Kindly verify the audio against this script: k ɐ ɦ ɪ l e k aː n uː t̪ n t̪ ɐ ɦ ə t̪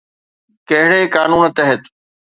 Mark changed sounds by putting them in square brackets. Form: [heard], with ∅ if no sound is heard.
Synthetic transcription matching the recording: k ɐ ɦ ɪ [ɽ] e k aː n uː [∅] n t̪ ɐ ɦ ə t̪